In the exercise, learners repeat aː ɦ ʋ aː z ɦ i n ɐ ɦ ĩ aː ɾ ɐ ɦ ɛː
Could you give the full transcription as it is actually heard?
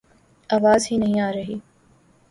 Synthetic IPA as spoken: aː ʋ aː z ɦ i n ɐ ɦ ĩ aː ɾ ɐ ɦ iː